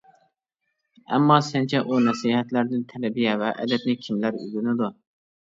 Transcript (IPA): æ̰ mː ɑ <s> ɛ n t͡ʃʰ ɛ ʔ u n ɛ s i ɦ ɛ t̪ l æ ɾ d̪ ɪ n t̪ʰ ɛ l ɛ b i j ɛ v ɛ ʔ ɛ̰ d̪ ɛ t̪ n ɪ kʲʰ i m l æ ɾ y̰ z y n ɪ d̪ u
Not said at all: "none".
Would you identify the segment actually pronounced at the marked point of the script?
s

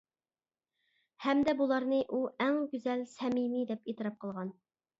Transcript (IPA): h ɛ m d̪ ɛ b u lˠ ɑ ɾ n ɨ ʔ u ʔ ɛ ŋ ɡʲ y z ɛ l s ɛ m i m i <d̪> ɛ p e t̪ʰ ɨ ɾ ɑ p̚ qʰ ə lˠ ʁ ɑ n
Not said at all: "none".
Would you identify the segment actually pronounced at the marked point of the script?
d̪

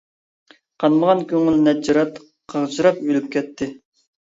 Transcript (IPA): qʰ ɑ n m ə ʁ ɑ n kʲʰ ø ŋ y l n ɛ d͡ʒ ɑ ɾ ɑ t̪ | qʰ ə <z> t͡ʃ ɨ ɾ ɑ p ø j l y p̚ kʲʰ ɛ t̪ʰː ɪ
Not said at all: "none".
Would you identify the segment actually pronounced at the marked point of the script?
ʁ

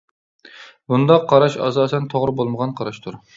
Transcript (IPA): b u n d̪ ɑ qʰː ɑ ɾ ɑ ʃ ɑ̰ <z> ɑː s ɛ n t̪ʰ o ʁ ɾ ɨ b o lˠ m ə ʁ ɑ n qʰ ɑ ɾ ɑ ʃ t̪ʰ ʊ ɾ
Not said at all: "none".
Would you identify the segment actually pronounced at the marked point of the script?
s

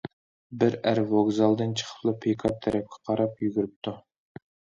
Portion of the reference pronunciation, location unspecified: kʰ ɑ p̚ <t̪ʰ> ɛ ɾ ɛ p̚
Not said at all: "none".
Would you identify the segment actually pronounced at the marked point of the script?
t̪ʰ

